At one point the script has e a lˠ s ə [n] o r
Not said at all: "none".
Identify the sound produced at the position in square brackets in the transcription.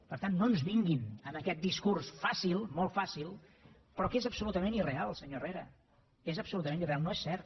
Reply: ɲ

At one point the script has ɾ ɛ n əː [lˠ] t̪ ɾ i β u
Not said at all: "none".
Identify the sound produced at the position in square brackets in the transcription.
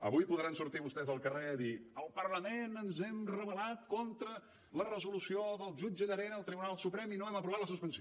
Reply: lˠ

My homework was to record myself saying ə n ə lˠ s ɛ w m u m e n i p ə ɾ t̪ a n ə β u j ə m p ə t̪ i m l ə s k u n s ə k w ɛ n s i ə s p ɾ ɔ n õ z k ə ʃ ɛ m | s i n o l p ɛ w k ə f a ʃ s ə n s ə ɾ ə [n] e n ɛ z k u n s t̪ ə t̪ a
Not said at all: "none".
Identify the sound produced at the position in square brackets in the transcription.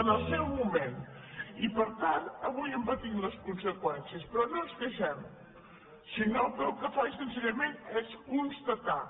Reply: m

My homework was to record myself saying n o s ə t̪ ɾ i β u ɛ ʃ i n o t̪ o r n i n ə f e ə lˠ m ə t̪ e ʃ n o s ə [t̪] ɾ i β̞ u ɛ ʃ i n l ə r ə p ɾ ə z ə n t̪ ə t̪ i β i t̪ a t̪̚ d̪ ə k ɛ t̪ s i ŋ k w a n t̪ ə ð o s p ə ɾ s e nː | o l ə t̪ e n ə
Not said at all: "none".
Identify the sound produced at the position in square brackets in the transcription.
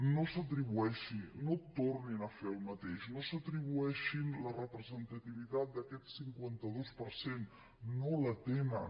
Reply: t̪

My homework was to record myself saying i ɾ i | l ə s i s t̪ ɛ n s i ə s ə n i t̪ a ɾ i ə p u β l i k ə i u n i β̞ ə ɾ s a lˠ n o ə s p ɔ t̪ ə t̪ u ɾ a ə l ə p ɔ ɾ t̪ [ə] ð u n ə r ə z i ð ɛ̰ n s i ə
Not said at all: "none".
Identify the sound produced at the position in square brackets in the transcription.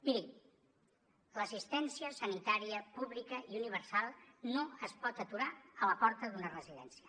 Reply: ə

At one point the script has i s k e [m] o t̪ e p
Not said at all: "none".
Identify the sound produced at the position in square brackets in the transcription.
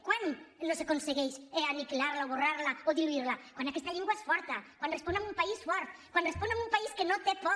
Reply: n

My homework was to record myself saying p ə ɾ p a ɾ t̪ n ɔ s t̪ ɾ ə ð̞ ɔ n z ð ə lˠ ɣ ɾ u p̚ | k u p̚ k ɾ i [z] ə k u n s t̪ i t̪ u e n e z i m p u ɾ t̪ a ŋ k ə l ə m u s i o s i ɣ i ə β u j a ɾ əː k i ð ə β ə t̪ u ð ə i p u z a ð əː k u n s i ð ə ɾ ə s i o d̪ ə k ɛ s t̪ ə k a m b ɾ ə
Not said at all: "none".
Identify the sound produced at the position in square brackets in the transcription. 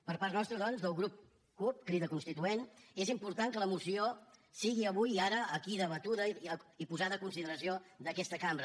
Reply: ð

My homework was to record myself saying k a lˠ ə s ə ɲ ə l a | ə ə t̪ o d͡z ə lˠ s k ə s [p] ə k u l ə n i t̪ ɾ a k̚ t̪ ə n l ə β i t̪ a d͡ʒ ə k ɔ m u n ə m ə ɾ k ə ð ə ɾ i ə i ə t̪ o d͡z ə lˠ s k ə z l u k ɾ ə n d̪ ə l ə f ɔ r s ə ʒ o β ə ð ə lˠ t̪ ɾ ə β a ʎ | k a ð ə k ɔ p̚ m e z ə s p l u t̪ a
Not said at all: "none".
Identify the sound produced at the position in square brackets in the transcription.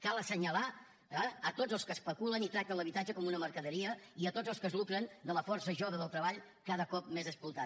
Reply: p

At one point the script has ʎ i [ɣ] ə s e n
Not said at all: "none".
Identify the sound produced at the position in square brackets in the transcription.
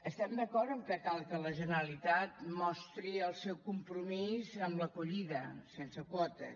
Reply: ð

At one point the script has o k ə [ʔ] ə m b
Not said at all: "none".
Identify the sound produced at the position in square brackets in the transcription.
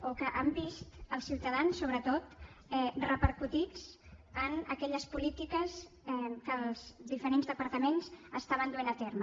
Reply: ʔ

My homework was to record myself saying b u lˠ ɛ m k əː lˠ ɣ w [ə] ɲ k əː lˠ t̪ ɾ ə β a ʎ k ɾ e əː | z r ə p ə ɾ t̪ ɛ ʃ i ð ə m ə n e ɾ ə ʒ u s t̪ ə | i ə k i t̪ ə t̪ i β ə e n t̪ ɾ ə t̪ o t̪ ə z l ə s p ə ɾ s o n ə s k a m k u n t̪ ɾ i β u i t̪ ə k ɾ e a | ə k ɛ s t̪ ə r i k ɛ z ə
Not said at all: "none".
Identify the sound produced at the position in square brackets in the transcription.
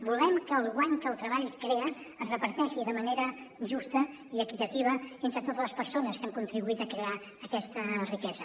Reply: a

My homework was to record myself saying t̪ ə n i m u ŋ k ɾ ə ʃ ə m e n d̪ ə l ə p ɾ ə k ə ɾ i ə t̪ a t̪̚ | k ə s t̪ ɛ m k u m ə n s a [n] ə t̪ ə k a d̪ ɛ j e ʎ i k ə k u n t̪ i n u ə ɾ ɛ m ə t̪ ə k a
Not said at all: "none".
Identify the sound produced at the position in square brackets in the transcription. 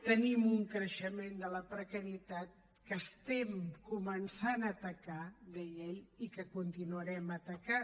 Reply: n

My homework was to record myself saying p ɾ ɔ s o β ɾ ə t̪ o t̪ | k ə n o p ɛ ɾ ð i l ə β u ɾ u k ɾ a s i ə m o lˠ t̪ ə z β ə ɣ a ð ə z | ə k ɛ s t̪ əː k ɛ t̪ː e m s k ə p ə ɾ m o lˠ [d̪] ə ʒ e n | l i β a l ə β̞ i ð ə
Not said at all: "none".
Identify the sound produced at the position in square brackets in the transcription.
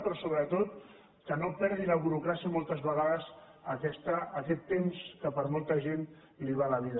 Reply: t̪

